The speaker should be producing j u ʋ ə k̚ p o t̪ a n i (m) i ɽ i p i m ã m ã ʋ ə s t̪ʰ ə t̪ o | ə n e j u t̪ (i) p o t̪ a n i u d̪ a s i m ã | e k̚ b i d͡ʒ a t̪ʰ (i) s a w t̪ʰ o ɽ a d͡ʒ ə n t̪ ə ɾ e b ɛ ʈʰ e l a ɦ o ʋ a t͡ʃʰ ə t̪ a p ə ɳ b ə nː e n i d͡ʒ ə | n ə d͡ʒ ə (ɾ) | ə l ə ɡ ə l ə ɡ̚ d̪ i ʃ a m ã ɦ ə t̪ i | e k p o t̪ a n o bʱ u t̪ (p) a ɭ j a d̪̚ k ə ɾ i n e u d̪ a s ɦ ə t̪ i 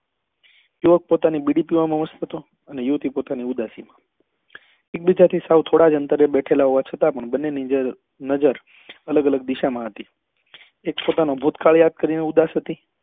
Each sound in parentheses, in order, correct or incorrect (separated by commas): incorrect, correct, correct, correct, incorrect